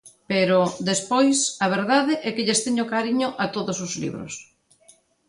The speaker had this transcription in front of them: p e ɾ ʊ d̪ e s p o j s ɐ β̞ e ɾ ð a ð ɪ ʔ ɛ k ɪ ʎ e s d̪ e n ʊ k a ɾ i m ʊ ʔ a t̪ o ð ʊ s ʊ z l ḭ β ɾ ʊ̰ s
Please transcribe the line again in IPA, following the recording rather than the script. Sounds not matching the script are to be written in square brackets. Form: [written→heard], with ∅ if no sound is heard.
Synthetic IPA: p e ɾ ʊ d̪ e s p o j s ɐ β̞ e ɾ ð a ð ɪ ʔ ɛ k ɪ ʎ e s [d̪→t̪] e [n→ɲ] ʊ k a ɾ i [m→ɲ] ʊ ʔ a t̪ o ð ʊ s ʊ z l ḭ β ɾ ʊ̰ s